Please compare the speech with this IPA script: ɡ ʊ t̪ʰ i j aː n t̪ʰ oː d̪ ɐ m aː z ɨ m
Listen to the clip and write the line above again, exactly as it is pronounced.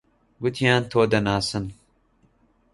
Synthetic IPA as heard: ɡ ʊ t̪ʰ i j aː n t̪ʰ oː d̪ ɐ n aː s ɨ n